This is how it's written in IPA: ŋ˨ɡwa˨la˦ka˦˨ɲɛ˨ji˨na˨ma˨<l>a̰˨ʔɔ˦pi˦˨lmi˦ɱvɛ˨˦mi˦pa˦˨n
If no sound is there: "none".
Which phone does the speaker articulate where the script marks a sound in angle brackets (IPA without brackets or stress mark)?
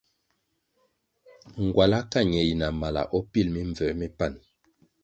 l